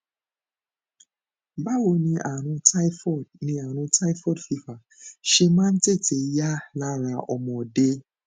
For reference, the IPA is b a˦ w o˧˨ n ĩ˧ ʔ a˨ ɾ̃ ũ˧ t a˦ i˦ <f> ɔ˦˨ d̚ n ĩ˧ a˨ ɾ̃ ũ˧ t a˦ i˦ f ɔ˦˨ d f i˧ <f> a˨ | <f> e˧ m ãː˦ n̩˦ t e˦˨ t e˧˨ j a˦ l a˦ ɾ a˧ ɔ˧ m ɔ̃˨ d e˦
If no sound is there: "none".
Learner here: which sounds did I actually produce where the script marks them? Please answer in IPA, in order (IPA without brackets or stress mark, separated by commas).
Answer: f, f, ʃ